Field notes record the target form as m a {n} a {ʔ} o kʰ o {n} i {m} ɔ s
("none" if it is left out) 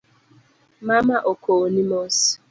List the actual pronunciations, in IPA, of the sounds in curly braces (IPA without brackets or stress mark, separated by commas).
m, ʔ, n, m